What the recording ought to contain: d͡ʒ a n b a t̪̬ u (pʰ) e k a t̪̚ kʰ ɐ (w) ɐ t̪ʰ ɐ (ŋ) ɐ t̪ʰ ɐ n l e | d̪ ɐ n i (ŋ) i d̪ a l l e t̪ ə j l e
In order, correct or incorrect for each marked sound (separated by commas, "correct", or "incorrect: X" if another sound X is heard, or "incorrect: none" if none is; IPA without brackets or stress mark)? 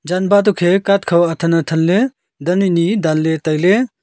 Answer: incorrect: kʰ, correct, incorrect: n, incorrect: n